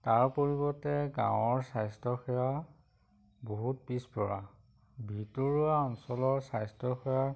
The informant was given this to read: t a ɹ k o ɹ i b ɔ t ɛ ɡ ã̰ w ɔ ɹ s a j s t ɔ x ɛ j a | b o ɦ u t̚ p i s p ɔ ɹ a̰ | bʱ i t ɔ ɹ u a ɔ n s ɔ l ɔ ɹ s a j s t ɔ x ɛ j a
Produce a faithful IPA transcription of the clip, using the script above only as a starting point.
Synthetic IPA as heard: t a ɹ p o ɹ i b ɔ t ɛ ɡ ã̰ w ɔ ɹ s a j s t ɔ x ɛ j a | b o ɦ u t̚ p i s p ɔ ɹ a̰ | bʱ i t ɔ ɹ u a ɔ n s ɔ l ɔ ɹ s a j s t ɔ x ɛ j a